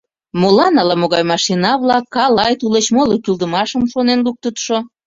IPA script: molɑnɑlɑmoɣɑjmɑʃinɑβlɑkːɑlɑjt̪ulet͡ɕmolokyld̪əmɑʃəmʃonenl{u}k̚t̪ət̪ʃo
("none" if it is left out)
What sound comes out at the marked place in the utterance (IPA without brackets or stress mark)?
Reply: u